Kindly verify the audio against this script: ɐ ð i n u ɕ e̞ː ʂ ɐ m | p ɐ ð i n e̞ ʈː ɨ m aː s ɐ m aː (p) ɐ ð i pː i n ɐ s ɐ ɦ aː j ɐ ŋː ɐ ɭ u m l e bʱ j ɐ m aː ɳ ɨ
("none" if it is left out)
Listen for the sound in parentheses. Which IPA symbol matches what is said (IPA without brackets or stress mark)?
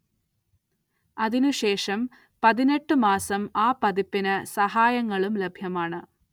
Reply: p